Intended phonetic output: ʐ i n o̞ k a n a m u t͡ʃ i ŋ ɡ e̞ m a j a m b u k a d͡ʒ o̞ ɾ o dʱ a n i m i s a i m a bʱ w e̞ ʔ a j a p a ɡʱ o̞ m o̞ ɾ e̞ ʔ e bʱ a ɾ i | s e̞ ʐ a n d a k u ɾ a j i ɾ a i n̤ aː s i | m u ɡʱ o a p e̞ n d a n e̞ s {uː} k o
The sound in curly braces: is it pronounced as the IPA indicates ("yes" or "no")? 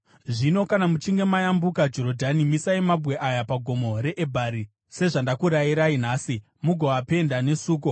yes